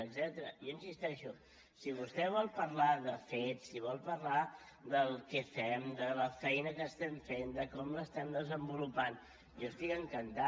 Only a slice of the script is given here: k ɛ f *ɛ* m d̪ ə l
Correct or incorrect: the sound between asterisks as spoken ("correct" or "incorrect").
correct